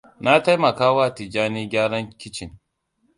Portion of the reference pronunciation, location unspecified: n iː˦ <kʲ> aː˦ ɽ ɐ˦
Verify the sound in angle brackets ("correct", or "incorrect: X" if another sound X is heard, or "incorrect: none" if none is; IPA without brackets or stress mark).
incorrect: ɡʲ